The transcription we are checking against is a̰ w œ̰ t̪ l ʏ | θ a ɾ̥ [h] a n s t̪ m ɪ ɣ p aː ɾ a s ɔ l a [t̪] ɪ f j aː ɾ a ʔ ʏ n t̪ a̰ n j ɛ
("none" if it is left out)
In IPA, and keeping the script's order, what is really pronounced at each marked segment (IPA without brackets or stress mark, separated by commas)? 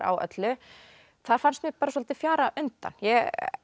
f, t̪